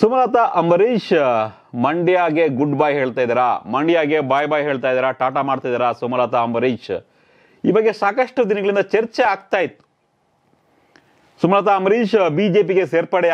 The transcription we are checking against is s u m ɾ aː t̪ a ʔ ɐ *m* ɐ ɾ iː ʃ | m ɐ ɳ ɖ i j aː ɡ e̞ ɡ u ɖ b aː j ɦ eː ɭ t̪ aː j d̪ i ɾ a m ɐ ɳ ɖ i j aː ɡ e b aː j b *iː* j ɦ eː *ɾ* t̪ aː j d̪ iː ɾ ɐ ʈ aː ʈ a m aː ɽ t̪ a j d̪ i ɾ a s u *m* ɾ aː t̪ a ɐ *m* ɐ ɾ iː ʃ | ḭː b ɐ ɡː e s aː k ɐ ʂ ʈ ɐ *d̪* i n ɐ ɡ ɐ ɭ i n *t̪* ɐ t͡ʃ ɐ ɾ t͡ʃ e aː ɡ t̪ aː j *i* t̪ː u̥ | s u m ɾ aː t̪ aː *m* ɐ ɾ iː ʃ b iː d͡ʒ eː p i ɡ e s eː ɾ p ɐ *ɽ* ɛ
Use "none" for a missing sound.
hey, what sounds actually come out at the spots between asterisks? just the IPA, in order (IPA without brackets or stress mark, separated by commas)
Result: m, aː, ɭ, m, m, d̪, d̪, i, m, ɽ